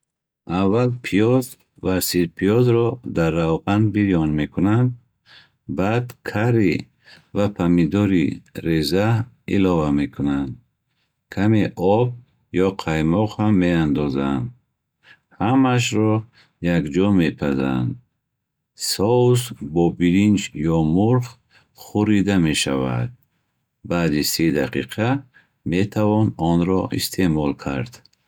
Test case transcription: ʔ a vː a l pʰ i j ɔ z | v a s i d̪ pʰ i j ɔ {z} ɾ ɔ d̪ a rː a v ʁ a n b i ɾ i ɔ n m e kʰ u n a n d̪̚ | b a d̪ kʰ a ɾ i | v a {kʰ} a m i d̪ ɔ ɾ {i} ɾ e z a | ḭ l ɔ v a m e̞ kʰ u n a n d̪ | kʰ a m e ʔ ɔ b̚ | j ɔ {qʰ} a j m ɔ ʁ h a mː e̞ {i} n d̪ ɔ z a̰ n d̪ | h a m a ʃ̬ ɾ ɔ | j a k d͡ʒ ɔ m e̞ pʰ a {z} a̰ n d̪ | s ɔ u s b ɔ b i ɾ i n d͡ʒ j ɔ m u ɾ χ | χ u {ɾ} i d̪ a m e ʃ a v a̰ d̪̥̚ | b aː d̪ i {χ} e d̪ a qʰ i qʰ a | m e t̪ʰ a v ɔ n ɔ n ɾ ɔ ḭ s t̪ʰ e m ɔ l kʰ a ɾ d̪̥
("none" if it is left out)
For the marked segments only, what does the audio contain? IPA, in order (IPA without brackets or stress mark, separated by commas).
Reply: z, pʰ, i, qʰ, a, z, ɾ, s